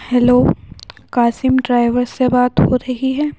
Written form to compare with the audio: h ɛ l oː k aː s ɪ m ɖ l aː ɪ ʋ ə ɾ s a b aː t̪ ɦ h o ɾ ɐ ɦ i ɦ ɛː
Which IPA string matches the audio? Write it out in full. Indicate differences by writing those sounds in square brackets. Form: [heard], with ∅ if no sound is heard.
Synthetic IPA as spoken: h ɛ l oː k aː s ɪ m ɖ [ɾ] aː ɪ ʋ ə ɾ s [e] b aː t̪ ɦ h o ɾ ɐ ɦ i ɦ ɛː